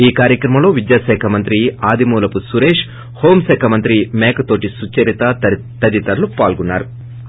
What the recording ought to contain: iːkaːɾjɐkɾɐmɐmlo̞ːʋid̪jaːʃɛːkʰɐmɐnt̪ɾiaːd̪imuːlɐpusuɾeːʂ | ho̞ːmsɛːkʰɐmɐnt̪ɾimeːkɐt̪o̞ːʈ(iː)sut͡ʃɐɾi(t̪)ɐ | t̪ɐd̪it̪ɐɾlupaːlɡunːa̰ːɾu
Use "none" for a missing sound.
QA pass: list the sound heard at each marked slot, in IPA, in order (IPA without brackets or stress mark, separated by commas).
i, t̪